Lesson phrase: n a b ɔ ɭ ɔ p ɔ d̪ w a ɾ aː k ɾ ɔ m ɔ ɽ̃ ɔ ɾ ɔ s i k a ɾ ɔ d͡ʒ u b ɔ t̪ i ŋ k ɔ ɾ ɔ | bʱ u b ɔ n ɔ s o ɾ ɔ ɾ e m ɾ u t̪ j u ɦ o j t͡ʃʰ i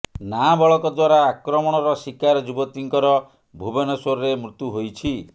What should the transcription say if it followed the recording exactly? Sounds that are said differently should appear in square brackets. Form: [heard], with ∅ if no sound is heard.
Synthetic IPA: n a b ɔ ɭ ɔ [k] ɔ d̪ w a ɾ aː k ɾ ɔ m ɔ ɽ̃ ɔ ɾ ɔ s i k a ɾ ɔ d͡ʒ u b ɔ t̪ i ŋ k ɔ ɾ ɔ | bʱ u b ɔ n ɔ s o ɾ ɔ ɾ e m ɾ u t̪ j u ɦ o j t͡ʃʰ i

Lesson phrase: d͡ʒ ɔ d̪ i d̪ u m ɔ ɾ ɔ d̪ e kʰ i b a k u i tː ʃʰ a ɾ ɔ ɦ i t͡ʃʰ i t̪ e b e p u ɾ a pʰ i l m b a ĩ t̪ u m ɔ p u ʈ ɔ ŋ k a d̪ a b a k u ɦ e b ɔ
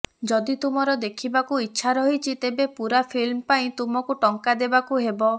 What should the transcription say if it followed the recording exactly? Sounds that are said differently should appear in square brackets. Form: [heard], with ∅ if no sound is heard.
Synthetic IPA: d͡ʒ ɔ d̪ i [t̪] u m ɔ ɾ ɔ d̪ e kʰ i b a k u i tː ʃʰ a ɾ ɔ ɦ i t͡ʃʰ i t̪ e b e p u ɾ a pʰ i l m [p] a ĩ t̪ u m ɔ [k] u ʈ ɔ ŋ k a d̪ [e] b a k u ɦ e b ɔ

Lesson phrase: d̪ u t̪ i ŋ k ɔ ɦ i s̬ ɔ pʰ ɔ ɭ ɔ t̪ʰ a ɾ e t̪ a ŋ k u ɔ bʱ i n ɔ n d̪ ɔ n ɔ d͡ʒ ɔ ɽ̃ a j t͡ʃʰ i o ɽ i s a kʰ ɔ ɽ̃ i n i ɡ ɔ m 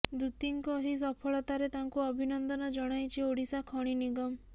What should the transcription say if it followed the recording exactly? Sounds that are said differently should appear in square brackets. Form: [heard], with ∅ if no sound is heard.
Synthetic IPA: d̪ u t̪ i ŋ k ɔ ɦ i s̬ ɔ pʰ ɔ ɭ ɔ [t̪] a ɾ e t̪ a ŋ k u ɔ bʱ i n ɔ n d̪ ɔ n ɔ d͡ʒ ɔ ɽ̃ a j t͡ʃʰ i o ɽ i s a kʰ ɔ ɽ̃ i n i ɡ ɔ m

